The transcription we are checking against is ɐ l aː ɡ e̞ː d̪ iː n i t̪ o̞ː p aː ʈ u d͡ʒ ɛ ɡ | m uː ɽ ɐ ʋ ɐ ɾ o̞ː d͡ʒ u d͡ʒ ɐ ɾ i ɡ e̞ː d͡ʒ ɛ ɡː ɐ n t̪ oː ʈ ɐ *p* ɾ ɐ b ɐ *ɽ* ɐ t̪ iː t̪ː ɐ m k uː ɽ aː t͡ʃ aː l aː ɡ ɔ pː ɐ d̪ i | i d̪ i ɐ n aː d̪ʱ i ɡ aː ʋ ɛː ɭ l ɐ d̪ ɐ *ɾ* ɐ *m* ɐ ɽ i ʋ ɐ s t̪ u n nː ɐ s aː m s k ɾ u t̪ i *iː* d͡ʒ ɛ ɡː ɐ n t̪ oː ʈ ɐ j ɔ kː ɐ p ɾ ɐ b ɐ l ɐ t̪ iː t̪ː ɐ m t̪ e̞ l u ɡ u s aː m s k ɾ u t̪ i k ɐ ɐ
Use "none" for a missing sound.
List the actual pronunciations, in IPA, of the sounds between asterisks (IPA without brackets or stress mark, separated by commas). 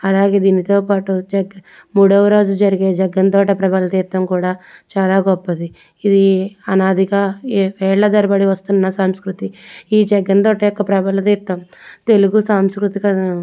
p, l, ɾ, b, iː